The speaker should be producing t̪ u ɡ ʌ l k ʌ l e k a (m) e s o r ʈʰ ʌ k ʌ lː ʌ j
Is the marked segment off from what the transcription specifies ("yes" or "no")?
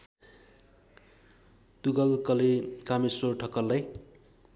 no